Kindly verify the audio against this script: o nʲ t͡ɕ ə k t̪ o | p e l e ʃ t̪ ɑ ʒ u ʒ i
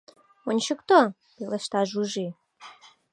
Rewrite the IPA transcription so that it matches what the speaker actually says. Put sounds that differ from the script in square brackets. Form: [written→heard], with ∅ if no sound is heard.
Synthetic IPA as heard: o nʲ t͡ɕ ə k t̪ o | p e l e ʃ t̪ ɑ ʒ u ʒ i

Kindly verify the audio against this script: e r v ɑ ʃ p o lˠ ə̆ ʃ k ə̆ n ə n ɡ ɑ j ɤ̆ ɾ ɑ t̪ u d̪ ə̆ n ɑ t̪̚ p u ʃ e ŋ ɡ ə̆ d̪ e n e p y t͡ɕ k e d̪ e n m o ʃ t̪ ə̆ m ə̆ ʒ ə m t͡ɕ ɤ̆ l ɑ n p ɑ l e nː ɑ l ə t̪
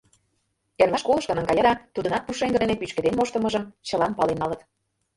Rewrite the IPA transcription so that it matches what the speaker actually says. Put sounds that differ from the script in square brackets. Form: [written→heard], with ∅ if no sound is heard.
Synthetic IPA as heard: e r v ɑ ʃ [p→k] o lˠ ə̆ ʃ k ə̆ n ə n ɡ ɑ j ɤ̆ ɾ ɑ t̪ u d̪ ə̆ n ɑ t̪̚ p u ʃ e ŋ ɡ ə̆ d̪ e n e p y t͡ɕ k e d̪ e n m o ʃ t̪ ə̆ m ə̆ ʒ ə m t͡ɕ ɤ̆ l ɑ n p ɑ l e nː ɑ l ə t̪

